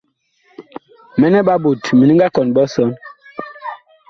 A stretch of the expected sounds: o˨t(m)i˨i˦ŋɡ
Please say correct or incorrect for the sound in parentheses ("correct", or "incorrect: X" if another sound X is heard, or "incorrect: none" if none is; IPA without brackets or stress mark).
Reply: correct